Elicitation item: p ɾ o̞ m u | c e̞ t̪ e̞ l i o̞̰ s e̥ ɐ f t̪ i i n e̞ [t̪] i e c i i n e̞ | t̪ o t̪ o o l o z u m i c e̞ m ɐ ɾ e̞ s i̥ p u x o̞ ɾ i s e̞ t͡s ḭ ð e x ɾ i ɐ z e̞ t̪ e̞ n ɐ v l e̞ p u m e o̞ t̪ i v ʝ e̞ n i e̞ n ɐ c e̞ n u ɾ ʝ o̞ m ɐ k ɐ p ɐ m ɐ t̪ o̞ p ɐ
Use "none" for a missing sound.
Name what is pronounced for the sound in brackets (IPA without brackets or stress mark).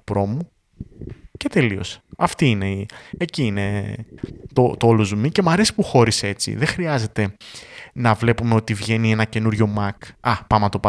none